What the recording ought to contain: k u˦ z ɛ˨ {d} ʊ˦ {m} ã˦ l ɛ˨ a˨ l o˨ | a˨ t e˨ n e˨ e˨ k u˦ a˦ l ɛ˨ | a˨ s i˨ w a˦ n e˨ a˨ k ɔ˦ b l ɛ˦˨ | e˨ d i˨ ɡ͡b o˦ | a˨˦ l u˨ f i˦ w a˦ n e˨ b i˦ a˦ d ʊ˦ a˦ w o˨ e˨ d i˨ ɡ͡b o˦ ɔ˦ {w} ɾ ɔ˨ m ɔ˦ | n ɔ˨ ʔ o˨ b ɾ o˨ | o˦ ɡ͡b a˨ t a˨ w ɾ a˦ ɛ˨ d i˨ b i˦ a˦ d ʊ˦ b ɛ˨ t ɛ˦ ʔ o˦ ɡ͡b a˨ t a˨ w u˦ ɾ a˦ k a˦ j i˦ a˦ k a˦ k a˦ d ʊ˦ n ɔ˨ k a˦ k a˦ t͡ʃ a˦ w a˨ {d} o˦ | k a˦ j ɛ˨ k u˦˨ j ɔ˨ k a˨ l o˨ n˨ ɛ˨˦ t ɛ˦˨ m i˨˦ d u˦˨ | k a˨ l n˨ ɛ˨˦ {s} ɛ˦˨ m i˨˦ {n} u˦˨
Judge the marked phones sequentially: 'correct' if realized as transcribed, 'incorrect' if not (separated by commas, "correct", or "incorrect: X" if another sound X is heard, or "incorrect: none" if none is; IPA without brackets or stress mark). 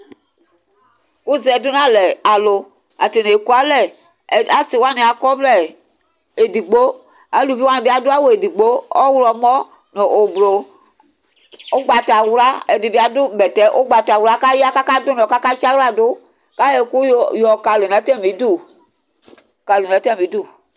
correct, incorrect: n, correct, correct, incorrect: t, incorrect: d